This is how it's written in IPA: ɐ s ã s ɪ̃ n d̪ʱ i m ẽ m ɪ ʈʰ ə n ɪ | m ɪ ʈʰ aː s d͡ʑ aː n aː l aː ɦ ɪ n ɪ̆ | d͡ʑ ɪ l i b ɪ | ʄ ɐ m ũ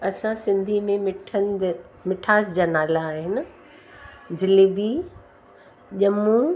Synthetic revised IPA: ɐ s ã s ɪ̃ n d̪ʱ i m ẽ m ɪ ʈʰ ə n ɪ | m ɪ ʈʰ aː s d͡ʑ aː n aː l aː ɦ ɪ n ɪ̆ | d͡ʑ ɪ l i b i | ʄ ɐ m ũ